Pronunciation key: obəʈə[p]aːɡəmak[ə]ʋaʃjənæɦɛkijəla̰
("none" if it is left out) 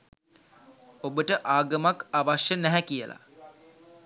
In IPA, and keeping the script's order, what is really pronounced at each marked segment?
ʔ, a

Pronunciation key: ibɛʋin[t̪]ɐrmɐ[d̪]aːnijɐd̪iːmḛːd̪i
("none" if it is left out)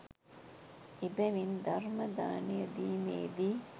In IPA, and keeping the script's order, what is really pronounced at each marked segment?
d̪, d̪

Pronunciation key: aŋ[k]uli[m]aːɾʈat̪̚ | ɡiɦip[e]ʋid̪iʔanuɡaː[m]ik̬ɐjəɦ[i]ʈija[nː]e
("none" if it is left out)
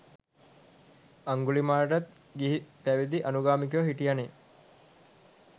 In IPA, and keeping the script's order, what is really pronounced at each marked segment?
ɡ, m, æ, m, i, n

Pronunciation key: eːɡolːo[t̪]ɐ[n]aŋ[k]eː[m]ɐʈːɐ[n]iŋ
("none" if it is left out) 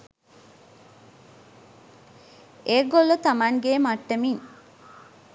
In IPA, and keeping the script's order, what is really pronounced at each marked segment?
t̪, m, ɡ, m, m

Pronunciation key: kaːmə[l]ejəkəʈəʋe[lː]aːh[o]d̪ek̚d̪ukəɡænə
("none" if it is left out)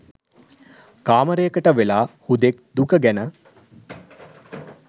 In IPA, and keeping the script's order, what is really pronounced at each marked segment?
ɾ, l, u

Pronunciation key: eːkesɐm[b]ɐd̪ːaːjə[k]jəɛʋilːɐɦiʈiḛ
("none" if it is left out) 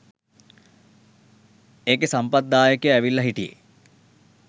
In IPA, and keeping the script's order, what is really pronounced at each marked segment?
p, k

